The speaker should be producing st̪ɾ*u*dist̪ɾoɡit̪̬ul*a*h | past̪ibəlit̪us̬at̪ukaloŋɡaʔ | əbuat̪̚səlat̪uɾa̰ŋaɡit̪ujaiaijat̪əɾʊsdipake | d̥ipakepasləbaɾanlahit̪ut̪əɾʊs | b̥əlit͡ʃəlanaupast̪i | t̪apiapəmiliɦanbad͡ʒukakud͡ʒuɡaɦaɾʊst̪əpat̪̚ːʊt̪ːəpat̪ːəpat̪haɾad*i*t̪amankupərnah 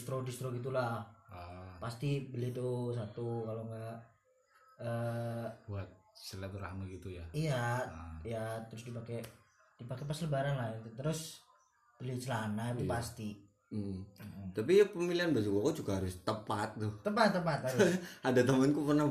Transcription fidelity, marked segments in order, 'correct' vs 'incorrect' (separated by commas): incorrect, correct, incorrect